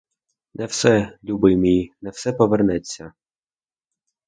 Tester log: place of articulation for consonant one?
alveolar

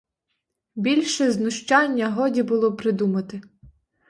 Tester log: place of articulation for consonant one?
labial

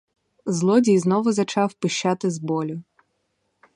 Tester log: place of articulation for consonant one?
alveolar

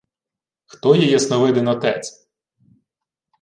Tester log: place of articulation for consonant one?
velar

